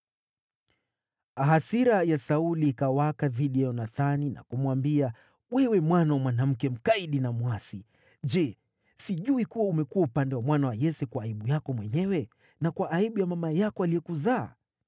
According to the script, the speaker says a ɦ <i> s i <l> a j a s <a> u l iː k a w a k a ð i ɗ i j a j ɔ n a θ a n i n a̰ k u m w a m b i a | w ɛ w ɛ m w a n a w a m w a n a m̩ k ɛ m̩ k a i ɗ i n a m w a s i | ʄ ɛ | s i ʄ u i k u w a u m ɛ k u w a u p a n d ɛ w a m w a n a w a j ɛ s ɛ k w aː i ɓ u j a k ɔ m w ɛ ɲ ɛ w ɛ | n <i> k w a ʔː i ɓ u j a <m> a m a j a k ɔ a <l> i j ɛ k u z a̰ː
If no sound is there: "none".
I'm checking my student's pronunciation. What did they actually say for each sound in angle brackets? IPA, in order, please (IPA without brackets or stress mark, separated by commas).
a, ɾ, a, a, m, l